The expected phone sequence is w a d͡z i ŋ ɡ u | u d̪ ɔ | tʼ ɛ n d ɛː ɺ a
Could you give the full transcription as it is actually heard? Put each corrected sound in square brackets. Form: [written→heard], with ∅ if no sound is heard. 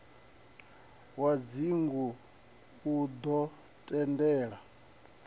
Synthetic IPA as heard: w a d͡z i ŋ ɡ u | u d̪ ɔ | tʼ ɛ n d ɛː ɺ a